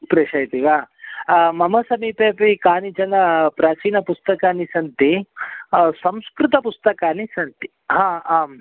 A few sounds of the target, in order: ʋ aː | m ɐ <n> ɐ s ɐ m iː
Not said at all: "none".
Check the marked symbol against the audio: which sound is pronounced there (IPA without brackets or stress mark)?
m